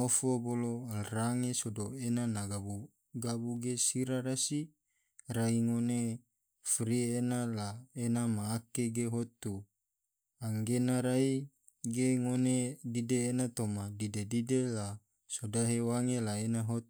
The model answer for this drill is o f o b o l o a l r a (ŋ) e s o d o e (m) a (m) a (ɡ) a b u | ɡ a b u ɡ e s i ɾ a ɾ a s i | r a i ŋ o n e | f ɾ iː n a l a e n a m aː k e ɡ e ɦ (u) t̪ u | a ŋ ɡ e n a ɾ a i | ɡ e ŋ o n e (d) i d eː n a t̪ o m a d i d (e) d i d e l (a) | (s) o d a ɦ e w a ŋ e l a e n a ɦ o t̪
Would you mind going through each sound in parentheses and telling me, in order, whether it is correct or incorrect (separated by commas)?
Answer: correct, incorrect, incorrect, correct, incorrect, correct, correct, correct, correct